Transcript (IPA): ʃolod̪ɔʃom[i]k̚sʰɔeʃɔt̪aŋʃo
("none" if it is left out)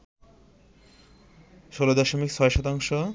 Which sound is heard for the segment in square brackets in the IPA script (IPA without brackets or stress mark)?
i